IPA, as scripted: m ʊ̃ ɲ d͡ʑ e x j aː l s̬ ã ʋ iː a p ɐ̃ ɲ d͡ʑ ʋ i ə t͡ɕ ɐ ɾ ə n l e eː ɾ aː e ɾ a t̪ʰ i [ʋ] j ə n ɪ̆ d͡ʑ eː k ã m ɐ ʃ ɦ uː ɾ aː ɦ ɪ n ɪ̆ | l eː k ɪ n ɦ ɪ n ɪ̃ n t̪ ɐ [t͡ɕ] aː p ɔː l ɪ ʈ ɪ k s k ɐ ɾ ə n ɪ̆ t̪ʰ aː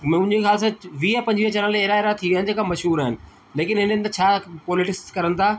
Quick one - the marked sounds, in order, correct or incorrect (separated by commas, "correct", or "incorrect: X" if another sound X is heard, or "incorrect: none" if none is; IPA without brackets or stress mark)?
correct, incorrect: t͡ɕʰ